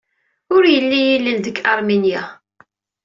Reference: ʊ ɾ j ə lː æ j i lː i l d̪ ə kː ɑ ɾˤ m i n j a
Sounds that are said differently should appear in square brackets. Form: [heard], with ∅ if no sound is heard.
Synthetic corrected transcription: ʊ ɾ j ə lː [i] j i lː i l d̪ ə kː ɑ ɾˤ m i n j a